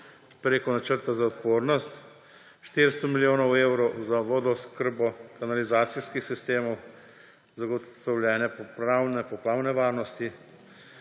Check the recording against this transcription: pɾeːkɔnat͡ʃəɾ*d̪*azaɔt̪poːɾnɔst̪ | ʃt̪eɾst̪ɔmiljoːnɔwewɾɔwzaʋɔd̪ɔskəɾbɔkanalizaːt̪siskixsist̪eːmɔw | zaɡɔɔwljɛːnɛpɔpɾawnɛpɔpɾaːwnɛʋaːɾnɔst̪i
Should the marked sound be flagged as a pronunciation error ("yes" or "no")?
yes